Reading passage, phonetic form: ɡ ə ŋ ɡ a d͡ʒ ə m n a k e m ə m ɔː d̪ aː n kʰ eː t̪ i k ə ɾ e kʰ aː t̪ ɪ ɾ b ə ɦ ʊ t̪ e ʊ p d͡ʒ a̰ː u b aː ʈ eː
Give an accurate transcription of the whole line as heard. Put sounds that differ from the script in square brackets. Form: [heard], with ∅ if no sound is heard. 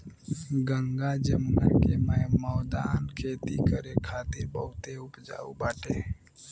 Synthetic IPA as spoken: ɡ ə ŋ ɡ a d͡ʒ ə m n a k e m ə m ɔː d̪ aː n kʰ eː t̪ i k ə ɾ e kʰ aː t̪ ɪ ɾ b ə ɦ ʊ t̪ e ʊ p d͡ʒ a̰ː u b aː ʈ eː